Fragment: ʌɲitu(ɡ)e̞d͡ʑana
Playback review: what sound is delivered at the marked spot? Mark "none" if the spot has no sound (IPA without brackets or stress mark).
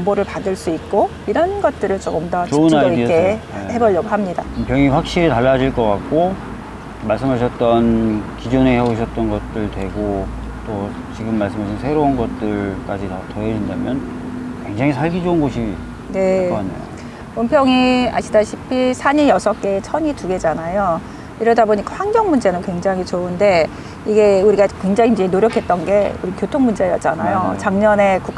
ɡ